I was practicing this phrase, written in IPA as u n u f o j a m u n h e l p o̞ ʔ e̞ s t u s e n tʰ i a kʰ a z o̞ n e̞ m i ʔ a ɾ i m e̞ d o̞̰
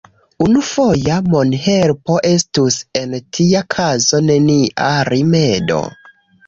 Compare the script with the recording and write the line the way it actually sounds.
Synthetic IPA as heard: u n u f o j a m o n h e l p o̞ ʔ e̞ s t u s e n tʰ i a kʰ a z o̞ n e̞ n i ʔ a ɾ i m e̞ d o̞̰